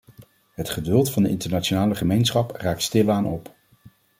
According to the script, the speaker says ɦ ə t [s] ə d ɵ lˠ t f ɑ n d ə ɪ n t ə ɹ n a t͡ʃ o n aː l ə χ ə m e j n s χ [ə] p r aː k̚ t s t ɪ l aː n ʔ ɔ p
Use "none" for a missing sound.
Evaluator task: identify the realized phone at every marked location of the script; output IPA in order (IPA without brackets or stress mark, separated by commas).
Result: χ, ɑ